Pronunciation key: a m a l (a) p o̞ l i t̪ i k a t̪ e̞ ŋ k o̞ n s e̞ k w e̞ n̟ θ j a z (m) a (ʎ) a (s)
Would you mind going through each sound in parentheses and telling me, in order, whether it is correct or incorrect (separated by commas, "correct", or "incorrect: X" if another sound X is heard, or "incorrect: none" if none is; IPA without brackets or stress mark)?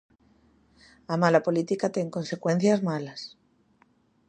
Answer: correct, correct, incorrect: l, correct